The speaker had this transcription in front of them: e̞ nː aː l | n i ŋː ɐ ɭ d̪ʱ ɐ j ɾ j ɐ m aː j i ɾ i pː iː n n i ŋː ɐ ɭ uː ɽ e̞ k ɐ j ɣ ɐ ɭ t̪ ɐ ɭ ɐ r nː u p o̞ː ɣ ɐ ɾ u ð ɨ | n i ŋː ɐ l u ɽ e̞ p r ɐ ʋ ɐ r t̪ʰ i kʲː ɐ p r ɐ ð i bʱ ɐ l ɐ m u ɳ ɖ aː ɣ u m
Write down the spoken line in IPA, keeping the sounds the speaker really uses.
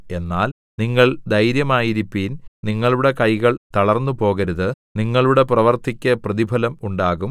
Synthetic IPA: e̞ nː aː l | n i ŋː ɐ ɭ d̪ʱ ɐ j ɾ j ɐ m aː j i ɾ i pː iː n n i ŋː ɐ ɭ u ɽ e̞ k ɐ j ɣ ɐ ɭ t̪ ɐ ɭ ɐ r nː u p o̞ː ɣ ɐ ɾ u ð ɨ | n i ŋː ɐ ɭ u ɽ e̞ p r ɐ ʋ ɐ r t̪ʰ i kʲː ɐ p r ɐ ð i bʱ ɐ l ɐ m u ɳ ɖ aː ɣ u m